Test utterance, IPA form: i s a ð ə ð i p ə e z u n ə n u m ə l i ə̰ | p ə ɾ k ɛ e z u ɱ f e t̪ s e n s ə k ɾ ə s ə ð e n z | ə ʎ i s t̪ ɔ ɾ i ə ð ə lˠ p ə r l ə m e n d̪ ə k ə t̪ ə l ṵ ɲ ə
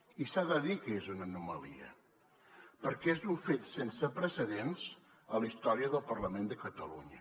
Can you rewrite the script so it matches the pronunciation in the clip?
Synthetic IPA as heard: i s a ð ə ð i k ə e z u n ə n u m ə l i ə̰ | p ə ɾ k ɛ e z u ɱ f e t̪ s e n s ə p ɾ ə s ə ð e n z | ə l i s t̪ ɔ ɾ i ə ð ə lˠ p ə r l ə m e n d̪ ə k ə t̪ ə l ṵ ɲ ə